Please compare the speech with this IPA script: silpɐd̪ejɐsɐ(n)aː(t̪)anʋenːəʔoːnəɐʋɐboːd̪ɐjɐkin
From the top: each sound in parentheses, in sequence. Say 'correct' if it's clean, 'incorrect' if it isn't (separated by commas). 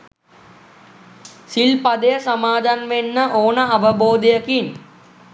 incorrect, incorrect